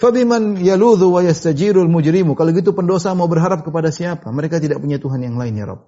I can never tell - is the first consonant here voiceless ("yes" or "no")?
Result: yes